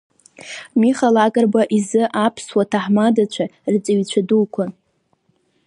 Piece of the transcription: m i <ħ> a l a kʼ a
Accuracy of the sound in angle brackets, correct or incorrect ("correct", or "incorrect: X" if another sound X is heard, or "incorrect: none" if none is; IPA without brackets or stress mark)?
incorrect: χ